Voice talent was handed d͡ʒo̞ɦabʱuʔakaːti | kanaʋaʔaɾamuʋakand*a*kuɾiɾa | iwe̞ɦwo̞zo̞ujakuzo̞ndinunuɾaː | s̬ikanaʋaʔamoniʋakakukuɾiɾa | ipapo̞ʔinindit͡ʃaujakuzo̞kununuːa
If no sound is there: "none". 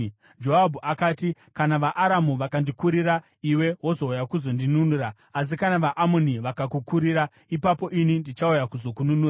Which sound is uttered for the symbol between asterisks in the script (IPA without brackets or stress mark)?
i